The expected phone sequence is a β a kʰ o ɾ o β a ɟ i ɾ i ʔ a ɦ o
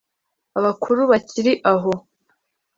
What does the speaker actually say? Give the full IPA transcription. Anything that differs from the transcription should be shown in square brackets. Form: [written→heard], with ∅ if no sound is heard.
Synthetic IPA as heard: a β a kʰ [o→u] ɾ [o→u] β a [ɟ→c] i ɾ i ʔ a ɦ o

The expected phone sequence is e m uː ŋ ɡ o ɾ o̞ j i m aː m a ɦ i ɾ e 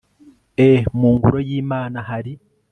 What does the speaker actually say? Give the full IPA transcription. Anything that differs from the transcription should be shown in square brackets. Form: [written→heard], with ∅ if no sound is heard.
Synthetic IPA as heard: e m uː ŋ ɡ [o→u] ɾ o̞ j [i→iː] m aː [m→n] a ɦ [i→a] ɾ [e→i]

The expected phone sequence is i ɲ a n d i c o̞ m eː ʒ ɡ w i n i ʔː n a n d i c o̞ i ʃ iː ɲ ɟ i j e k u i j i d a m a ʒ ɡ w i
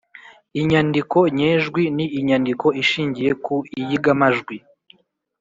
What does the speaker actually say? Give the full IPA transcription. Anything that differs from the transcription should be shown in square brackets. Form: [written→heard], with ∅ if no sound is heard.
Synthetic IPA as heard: i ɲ a n d i [c→k] o̞ [m→ɲ] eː ʒ ɡ w i n i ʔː [n→ɲ] a n d i [c→k] o̞ i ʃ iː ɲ ɟ i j e k u i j i [d→ɡ] a m a ʒ ɡ w i

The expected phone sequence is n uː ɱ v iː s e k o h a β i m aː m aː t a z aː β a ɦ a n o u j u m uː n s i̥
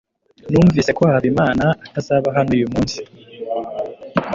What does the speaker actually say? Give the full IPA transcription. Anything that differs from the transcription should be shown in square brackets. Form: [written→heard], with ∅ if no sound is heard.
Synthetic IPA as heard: n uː ɱ v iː s e k o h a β i m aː [m→n] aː t a z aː β a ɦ a n o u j u m uː n s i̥

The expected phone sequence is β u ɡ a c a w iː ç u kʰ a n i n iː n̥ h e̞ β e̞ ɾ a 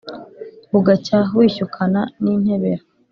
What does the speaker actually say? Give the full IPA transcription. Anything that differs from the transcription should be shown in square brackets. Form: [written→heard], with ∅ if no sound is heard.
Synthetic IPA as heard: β u ɡ a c a w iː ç u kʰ a n [i→a] n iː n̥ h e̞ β e̞ ɾ a

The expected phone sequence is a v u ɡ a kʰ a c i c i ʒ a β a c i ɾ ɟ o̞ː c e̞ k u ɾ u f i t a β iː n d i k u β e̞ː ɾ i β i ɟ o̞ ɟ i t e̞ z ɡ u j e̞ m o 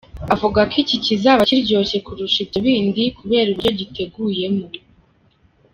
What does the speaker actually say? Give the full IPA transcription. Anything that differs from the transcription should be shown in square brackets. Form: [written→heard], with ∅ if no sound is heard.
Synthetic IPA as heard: a v u ɡ a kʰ [a→i] c i c i [ʒ→z] a β a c i ɾ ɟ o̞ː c e̞ k u ɾ u [f→ʃ] i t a β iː n d i k u β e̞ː ɾ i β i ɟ o̞ ɟ i t e̞ [z→∅] ɡ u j e̞ m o

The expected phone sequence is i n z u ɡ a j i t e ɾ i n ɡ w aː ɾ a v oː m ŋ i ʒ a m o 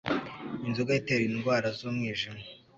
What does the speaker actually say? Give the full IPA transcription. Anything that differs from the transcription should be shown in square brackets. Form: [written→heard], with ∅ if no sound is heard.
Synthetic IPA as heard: i n z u ɡ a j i t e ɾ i n ɡ w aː ɾ a [v→z] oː m ŋ [i→iː] ʒ [a→i] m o

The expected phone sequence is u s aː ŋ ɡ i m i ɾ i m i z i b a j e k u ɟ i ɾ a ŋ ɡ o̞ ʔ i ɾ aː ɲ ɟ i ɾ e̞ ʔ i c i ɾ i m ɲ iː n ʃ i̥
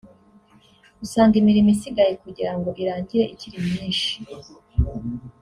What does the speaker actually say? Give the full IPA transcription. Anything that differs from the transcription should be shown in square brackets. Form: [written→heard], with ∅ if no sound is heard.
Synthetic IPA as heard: u s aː ŋ ɡ i m i ɾ i m i [z→s] i [b→ɡ] a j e k u ɟ i ɾ a ŋ ɡ o̞ ʔ i ɾ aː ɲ ɟ i ɾ e̞ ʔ i c i ɾ i m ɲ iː n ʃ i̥

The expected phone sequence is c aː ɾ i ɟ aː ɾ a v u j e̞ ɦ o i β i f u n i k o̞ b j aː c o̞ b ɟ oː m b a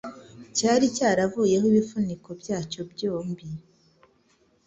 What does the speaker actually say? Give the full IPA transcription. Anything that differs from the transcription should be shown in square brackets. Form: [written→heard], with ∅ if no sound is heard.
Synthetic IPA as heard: c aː ɾ i [ɟ→c] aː ɾ a v u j e̞ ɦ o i β i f u n i k o̞ b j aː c o̞ b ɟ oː m b [a→i]

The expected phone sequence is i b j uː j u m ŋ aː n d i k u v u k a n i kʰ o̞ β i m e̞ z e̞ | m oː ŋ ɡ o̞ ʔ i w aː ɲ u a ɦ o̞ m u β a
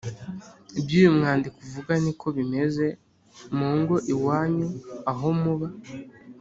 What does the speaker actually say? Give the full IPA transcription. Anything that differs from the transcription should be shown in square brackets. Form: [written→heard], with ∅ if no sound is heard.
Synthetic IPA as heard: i b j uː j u m ŋ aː n d i k u v u [k→ɡ] a n i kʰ o̞ β i m e̞ z e̞ | m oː ŋ ɡ o̞ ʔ i w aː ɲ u a ɦ o̞ m u β a

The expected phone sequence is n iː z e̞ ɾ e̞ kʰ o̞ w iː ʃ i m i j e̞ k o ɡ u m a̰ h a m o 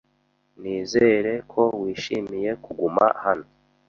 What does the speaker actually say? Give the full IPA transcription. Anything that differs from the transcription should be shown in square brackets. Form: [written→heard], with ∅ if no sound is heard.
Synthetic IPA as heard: n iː z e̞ ɾ e̞ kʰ o̞ w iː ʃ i m i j e̞ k [o→u] ɡ u m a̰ h a [m→n] o

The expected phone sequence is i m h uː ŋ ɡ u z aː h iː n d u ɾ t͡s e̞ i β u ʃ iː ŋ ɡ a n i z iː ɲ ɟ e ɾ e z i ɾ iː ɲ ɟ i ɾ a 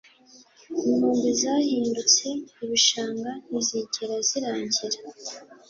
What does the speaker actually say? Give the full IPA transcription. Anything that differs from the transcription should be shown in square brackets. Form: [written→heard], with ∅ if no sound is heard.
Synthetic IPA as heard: i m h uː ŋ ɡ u z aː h iː n d u [ɾ→∅] t͡s e̞ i β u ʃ [iː→aː] ŋ ɡ a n i z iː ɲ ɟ e ɾ [e→a] z i ɾ [iː→aː] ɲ ɟ i ɾ a

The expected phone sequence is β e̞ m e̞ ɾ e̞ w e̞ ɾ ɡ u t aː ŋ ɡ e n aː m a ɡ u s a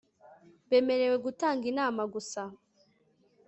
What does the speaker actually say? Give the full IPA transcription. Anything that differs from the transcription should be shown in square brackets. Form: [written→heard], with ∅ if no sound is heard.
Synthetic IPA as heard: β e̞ m e̞ ɾ e̞ w e̞ [ɾ→∅] ɡ u t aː ŋ ɡ [e→i] n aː m a ɡ u s a

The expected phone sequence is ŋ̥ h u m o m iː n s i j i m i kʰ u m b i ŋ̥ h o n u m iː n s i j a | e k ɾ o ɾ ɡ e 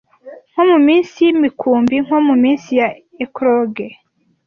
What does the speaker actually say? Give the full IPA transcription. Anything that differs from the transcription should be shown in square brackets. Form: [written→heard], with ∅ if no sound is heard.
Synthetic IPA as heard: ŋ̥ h [u→o] m [o→u] m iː n s i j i m i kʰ [u→uː] m b i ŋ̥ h o [n→m] u m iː n s i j a | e k ɾ o [ɾ→∅] ɡ e

